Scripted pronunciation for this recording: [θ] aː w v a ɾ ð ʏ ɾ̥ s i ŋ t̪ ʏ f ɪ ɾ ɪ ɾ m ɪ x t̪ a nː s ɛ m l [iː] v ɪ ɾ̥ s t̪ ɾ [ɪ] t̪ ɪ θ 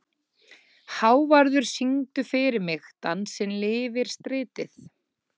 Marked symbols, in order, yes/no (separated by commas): no, no, no